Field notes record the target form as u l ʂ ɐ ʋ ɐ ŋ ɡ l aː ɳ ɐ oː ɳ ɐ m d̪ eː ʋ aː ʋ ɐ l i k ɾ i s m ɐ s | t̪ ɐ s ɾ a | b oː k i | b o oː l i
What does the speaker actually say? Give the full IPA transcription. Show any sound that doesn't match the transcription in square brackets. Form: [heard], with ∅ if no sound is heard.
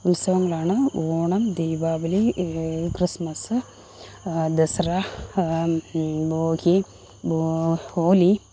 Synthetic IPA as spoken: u l [s] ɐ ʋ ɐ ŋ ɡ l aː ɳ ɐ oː ɳ ɐ m d̪ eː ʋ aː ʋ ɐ l i k ɾ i s m ɐ s | [d̪] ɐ s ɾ a | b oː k i | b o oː l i